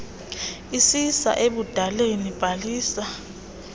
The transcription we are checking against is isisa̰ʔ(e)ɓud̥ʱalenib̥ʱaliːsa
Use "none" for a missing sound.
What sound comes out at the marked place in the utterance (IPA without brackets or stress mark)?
e